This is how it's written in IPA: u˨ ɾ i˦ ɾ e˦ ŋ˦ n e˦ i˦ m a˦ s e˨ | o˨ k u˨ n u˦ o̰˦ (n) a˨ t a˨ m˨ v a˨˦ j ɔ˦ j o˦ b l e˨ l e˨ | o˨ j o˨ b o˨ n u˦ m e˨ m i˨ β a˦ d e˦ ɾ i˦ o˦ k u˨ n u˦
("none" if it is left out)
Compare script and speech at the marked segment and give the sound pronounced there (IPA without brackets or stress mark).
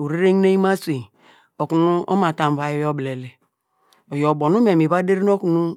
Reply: m